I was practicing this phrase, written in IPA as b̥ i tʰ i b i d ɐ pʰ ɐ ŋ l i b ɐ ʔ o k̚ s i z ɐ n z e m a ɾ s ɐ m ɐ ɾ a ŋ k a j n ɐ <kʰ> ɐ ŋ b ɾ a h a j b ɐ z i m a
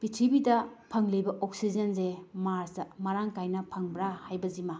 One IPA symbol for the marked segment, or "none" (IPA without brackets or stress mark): pʰ